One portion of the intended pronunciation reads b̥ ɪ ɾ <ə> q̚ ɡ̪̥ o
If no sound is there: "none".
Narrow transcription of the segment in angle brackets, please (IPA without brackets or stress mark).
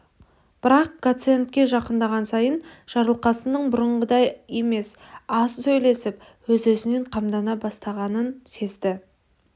ɑ